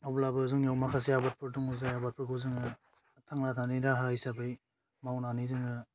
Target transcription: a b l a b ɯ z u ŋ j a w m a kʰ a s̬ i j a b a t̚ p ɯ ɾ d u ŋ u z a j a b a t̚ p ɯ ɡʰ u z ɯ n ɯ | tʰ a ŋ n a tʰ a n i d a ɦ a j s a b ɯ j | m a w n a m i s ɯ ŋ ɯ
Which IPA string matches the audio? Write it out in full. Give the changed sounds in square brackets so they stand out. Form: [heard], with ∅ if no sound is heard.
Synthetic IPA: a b l a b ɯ z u ŋ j a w m a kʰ a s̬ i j a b a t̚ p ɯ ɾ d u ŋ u z a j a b a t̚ p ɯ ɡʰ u z ɯ [ŋ] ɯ | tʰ a ŋ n a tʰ a n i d a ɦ a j s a b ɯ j | m a w n a [n] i [z] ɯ ŋ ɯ